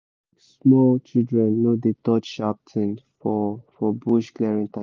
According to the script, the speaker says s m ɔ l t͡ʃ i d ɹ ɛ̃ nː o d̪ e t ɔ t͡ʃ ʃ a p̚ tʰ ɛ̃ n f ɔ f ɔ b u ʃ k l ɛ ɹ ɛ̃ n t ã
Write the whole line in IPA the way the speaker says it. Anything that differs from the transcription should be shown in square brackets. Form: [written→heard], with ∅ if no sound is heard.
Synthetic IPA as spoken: s m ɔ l t͡ʃ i d ɹ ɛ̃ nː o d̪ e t ɔ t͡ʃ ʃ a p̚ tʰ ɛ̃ n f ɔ f ɔ b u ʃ k l ɛ ɹ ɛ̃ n t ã